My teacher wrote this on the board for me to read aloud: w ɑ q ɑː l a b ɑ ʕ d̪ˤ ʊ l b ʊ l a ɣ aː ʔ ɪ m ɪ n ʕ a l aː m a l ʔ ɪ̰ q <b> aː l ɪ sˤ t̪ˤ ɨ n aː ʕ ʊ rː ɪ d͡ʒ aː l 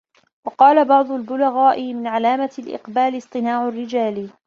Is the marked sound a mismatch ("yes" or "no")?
no